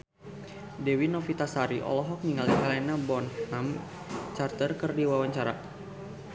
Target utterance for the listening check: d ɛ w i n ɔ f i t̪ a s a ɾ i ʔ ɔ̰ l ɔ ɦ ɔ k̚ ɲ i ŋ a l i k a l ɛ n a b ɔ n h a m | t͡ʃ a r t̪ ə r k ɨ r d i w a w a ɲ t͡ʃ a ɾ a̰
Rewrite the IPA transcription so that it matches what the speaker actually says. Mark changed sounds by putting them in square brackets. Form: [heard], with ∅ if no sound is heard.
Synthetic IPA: d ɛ w i n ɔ f i t̪ a s a ɾ i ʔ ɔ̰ l ɔ ɦ ɔ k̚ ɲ i ŋ a l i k a l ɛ n a b ɔ n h a m | t͡ʃ a r t̪ ə r k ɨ r d i w a w a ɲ t͡ʃ a ɾ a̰

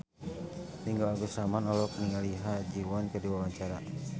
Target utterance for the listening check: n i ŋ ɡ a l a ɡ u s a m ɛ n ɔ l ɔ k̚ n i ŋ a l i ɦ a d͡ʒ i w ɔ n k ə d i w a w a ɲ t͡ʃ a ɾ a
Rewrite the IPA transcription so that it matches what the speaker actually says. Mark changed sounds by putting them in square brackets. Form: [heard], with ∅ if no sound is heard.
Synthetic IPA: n i ŋ ɡ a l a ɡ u s a m [a] n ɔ l ɔ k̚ n i ŋ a l i ɦ a d͡ʒ i w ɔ n k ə d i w a w a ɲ t͡ʃ a ɾ a

